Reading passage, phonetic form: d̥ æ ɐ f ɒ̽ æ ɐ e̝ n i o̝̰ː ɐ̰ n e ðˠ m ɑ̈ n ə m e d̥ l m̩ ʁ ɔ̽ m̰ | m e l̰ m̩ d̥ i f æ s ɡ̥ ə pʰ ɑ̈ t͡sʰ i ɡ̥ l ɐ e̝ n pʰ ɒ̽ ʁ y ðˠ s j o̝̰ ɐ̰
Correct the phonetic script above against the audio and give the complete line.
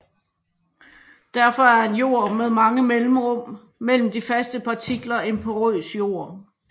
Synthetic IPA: d̥ æ ɐ f ɒ̽ æ ɐ e̝ n j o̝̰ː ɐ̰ m e ðˠ m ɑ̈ ŋ ə m e l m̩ ʁ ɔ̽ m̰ | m e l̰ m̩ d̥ i f æ s d̥ ə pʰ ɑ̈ t͡sʰ i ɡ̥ l ɐ e̝ n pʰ ɒ̽ ʁ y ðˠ s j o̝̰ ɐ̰